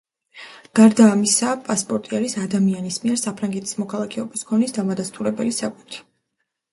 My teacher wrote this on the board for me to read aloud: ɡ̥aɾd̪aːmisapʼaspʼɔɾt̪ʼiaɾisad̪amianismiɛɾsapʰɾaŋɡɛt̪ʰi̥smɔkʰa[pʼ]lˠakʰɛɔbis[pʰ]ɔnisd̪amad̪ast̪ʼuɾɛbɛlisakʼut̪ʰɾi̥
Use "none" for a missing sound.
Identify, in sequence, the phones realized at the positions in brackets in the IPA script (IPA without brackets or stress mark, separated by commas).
none, kʰ